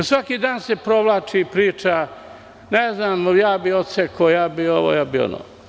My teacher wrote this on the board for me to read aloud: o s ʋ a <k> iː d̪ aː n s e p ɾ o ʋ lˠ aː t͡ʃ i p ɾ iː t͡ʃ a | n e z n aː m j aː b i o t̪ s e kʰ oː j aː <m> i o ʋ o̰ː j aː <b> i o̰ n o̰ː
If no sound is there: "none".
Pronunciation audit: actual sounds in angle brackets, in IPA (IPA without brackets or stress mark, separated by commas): k, b, b